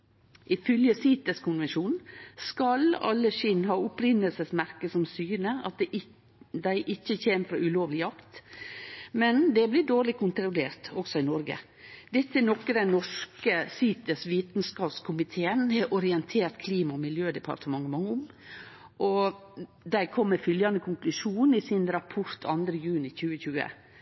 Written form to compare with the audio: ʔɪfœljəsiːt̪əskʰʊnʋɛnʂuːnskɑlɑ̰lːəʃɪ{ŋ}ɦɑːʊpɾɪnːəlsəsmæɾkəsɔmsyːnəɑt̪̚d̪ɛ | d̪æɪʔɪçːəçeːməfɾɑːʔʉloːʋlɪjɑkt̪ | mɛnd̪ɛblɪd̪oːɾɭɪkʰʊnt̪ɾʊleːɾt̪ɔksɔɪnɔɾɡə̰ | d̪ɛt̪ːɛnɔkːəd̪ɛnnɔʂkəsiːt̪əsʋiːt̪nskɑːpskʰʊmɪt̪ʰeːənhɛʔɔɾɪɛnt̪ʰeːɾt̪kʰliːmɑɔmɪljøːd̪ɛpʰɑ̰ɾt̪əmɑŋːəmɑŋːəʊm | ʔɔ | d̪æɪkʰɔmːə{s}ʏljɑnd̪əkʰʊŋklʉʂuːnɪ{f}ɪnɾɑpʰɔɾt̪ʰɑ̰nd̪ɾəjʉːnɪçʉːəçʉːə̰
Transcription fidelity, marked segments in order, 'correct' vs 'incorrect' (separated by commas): incorrect, incorrect, incorrect